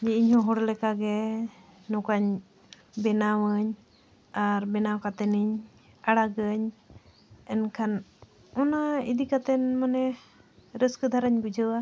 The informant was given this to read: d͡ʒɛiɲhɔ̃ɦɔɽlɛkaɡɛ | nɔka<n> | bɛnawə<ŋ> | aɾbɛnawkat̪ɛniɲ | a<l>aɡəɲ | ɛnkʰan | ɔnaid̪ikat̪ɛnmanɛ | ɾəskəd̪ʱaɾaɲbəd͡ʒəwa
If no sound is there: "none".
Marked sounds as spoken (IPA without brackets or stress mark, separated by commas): ɲ, ɲ, ɽ